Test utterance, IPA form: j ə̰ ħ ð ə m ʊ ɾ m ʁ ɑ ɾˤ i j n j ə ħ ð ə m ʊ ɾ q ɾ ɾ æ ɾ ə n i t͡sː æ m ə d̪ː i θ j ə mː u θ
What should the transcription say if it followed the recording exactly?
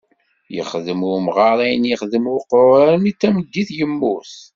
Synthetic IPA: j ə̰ χ ð ə m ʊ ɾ m ʁ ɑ ɾˤ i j n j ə χ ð ə m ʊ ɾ q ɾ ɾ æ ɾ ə n i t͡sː æ m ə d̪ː i θ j ə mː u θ